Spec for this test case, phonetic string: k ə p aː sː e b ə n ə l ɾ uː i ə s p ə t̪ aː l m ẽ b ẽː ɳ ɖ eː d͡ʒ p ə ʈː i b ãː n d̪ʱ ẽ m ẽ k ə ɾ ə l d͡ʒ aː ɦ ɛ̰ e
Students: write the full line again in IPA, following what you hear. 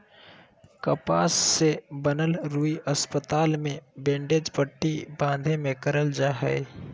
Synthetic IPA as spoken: k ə p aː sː e b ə n ə l ɾ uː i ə s p ə t̪ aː l m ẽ b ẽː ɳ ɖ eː d͡ʒ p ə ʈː i b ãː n d̪ʱ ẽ m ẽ k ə ɾ ə l d͡ʒ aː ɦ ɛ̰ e